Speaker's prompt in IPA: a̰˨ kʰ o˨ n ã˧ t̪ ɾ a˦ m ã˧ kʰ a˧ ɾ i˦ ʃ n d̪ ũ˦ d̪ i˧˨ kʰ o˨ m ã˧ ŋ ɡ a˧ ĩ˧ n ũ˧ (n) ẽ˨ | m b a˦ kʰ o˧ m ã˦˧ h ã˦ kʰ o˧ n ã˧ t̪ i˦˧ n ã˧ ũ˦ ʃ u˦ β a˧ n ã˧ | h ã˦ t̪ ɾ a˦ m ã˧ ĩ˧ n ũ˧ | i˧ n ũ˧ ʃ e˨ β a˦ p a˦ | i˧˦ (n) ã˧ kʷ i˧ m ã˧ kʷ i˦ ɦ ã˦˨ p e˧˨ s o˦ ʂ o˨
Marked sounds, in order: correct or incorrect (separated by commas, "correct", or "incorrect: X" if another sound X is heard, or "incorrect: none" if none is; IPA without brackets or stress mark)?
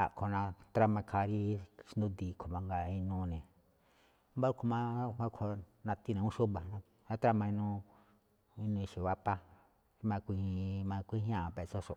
correct, incorrect: m